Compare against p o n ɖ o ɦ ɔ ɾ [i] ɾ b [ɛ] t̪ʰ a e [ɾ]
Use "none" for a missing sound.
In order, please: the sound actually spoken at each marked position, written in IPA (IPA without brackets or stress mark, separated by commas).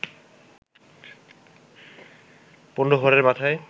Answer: e, a, none